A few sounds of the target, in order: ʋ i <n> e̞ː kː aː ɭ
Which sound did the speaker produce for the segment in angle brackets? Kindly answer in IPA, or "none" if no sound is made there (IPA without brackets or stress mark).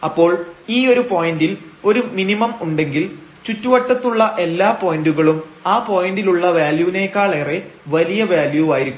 n